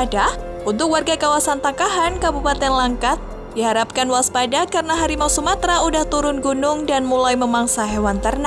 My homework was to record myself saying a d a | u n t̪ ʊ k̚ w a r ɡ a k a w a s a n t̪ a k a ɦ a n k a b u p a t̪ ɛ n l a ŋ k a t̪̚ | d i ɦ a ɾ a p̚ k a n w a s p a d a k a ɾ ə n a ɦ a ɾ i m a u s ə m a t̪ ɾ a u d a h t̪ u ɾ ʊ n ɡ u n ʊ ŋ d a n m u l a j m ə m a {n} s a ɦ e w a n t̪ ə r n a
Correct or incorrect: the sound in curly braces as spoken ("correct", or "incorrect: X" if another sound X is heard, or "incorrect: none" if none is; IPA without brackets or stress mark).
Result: incorrect: ŋ